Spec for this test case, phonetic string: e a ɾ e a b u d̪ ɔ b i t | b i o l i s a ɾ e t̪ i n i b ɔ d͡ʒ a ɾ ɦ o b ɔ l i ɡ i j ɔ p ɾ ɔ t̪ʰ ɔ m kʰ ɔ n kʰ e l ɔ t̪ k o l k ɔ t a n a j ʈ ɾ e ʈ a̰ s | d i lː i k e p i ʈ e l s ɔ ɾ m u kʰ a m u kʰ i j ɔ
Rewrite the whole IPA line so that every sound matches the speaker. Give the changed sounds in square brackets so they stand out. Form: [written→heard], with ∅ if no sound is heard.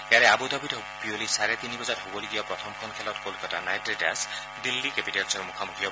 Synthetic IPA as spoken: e a ɾ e a b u d̪ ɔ b i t | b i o l i s a ɾ e t̪ i n i b ɔ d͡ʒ a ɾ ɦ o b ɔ l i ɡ i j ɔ p ɾ ɔ t̪ʰ ɔ m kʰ ɔ n kʰ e l ɔ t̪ k o l k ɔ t a n a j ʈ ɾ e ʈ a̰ s | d i lː i k e p i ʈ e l s ɔ ɾ m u kʰ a m u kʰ i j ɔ